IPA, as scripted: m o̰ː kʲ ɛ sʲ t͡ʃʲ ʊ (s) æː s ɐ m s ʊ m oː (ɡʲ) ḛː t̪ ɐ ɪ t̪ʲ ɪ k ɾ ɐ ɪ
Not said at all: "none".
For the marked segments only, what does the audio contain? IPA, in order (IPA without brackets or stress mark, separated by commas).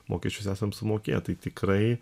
s, kʲ